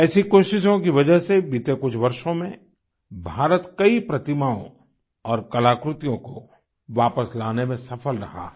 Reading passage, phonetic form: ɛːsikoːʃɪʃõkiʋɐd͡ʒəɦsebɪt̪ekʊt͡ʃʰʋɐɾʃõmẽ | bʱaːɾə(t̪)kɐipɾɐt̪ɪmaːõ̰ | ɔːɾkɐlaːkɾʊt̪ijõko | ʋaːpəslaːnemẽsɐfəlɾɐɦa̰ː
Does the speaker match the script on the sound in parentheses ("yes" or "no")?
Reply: yes